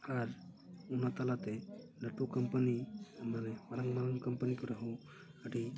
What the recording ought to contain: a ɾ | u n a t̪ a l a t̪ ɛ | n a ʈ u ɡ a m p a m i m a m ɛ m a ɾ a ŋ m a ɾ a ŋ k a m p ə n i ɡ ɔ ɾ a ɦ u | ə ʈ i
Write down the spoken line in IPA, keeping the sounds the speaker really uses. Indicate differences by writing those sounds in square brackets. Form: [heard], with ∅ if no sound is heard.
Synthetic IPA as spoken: a ɾ | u n a t̪ a l a t̪ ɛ | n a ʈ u [k] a m p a [n] i m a [n] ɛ m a ɾ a ŋ m a ɾ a ŋ k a m p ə n i [k] ɔ ɾ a ɦ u | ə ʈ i